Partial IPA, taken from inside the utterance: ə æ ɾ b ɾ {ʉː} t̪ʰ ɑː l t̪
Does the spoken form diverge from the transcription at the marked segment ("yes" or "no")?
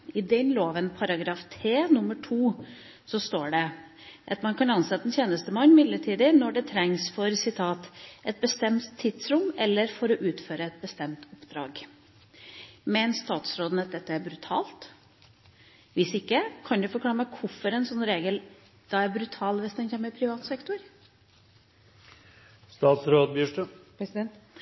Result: yes